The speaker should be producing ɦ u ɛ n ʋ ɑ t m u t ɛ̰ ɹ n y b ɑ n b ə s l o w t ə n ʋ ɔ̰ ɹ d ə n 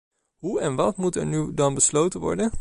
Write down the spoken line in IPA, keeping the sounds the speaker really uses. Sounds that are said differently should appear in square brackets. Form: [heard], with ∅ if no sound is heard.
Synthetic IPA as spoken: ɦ u ɛ n ʋ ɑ t m u t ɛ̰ ɹ n y [d] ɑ n b ə s l o w t ə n ʋ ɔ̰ ɹ d ə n